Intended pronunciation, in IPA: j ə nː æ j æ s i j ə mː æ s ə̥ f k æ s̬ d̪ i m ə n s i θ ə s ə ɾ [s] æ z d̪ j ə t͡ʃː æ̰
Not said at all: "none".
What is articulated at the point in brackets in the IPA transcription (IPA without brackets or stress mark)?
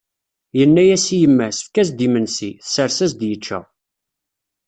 s